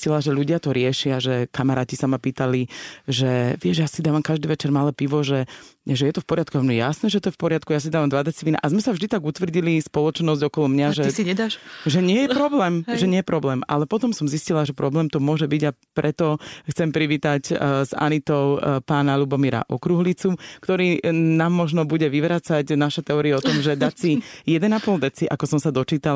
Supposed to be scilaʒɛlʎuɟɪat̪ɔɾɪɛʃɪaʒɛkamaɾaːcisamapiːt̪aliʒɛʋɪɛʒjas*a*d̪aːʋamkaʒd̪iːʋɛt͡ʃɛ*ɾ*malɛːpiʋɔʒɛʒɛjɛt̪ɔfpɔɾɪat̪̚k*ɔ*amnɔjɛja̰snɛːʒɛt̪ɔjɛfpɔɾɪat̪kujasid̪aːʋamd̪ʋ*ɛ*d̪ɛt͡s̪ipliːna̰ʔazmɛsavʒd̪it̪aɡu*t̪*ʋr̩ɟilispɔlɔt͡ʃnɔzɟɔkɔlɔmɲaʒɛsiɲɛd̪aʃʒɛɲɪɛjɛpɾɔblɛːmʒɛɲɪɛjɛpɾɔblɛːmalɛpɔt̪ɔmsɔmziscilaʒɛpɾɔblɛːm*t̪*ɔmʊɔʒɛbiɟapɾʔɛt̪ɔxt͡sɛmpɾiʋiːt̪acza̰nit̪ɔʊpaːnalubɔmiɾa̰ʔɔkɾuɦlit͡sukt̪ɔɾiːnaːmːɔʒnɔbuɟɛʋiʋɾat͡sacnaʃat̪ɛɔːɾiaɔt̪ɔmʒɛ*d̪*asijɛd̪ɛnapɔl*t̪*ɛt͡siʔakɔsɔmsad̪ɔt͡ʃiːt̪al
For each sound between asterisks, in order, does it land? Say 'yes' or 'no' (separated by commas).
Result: no, yes, no, no, yes, yes, yes, no